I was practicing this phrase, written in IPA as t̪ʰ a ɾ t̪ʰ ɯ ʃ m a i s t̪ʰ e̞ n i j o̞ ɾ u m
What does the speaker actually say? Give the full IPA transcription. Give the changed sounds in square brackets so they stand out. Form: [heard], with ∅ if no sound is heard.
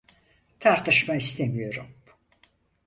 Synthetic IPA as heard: t̪ʰ a ɾ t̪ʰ ɯ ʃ m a i s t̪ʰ e̞ [m] i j o̞ ɾ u m